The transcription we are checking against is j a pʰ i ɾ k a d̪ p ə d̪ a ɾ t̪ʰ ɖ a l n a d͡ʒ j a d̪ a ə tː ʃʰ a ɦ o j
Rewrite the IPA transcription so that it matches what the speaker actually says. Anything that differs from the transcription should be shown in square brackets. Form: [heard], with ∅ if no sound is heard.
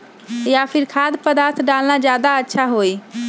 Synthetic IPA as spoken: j a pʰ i ɾ [kʰ] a d̪ p ə d̪ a ɾ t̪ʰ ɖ a l n a d͡ʒ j a d̪ a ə tː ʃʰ a ɦ o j